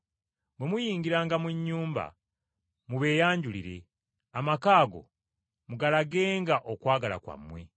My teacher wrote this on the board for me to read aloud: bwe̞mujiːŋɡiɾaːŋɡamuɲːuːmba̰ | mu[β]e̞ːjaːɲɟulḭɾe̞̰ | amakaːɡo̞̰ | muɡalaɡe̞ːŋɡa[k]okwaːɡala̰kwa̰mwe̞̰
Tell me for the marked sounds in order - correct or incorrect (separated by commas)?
correct, incorrect